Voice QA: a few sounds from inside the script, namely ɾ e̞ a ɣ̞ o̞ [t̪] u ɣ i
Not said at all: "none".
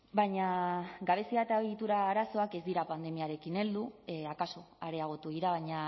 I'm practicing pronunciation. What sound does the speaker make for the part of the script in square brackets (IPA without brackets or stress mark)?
t̪